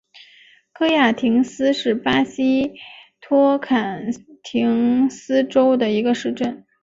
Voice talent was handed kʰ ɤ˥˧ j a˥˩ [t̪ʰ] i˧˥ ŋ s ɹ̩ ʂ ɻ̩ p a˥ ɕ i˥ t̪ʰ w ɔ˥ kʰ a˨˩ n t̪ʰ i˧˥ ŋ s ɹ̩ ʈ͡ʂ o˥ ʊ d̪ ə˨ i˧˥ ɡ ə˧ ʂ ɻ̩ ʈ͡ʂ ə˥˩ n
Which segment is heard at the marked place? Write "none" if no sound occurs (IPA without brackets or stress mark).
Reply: t̪ʰ